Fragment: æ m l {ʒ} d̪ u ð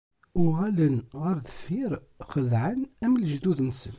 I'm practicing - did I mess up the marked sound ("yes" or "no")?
no